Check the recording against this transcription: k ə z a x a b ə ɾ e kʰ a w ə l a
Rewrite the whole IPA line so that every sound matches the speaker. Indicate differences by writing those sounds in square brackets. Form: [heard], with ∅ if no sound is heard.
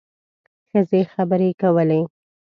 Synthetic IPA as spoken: [x] ə z [e] x a b ə ɾ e [k] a w ə l [e]

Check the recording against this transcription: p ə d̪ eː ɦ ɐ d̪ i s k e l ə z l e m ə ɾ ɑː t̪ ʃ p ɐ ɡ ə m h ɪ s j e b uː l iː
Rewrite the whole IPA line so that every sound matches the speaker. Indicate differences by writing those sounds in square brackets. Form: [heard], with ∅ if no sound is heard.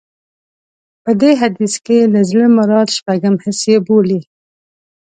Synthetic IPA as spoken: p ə d̪ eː ɦ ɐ d̪ i s k e l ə z l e m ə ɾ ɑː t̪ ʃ p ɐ ɡ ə m h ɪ s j e b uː l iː

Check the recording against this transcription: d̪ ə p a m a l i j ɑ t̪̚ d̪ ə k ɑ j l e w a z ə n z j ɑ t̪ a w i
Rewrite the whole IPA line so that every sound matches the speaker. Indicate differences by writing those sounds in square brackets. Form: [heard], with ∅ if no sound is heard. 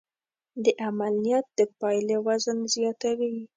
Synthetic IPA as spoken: d̪ ə [ʔ] a m a l i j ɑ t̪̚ d̪ ə [p] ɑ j l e w a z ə n z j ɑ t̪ a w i

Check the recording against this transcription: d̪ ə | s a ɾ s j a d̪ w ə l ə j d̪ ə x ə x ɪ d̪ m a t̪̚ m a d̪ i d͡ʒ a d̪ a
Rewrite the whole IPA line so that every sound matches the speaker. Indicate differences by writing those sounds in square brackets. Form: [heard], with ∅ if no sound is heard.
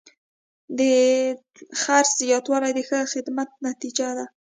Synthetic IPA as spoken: d̪ ə | [x] a ɾ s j [ɑ] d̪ w [ɑ] l [a] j d̪ ə x ə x ɪ d̪ m a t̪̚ [n] a [t̪] i d͡ʒ a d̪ a

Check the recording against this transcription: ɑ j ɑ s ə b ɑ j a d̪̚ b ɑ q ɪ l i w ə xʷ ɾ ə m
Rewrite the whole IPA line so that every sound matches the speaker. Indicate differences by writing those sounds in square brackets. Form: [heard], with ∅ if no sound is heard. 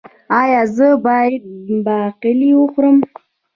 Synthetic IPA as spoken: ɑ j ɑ [z] ə b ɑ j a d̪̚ b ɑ q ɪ l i w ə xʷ ɾ ə m

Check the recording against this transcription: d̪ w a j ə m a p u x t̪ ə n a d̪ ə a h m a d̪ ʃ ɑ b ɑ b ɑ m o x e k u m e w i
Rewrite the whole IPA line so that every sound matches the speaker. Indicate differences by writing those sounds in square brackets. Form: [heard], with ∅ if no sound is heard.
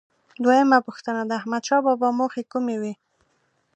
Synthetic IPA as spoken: d̪ w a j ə m a p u x t̪ ə n a d̪ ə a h m a d̪ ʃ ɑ b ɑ b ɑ m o x e k u m e w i

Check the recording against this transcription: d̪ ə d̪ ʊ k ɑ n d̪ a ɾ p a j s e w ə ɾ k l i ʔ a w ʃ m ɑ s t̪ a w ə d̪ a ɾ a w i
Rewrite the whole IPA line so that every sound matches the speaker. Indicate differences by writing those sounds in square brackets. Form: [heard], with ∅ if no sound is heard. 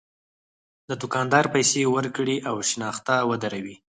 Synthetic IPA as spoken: d̪ ə d̪ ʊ k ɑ n d̪ [ɑ] ɾ p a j s e w ə ɾ k [ɽ] i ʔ a w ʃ [n] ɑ [x] t̪ a w ə d̪ a ɾ a w i

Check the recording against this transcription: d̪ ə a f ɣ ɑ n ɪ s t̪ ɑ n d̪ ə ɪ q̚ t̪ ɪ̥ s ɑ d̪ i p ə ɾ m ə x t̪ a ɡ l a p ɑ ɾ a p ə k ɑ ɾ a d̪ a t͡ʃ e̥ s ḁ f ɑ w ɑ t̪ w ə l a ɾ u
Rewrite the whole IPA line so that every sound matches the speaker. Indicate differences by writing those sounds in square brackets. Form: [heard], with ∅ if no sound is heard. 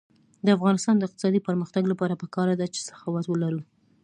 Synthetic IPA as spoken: d̪ ə a f ɣ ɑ n ɪ s t̪ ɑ n d̪ ə ɪ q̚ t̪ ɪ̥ s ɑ d̪ i p ə ɾ m ə x t̪ a ɡ l a p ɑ ɾ a p ə k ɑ ɾ a d̪ a t͡ʃ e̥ s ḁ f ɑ w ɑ t̪ w ə l a ɾ u

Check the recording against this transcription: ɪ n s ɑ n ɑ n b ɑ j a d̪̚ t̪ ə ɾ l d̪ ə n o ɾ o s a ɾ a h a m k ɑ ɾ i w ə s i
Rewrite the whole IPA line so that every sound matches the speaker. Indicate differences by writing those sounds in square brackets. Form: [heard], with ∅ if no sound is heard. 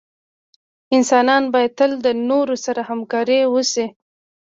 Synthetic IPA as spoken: ɪ n s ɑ n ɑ n b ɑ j a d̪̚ t̪ ə [∅] l d̪ ə n o ɾ o s a ɾ a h a m k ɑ ɾ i w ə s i

